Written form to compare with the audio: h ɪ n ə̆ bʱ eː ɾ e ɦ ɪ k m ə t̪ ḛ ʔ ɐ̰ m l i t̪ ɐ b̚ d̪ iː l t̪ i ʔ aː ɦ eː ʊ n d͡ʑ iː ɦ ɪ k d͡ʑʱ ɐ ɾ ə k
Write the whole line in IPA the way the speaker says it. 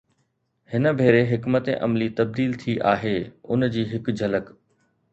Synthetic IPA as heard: h ɪ n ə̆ bʱ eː ɾ e ɦ ɪ k m ə t̪ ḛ ʔ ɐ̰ m l i t̪ ɐ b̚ d̪ iː l t̪ʰ i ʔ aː ɦ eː ʊ n d͡ʑ iː ɦ ɪ k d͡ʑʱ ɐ l ə k